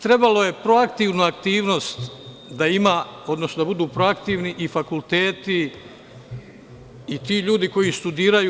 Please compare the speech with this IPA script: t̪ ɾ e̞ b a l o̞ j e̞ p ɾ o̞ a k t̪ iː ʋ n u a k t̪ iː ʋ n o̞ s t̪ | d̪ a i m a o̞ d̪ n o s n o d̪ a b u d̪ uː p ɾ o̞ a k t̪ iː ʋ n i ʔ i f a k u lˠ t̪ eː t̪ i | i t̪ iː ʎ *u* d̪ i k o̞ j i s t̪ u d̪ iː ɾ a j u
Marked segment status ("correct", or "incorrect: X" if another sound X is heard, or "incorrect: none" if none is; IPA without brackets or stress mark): incorrect: uː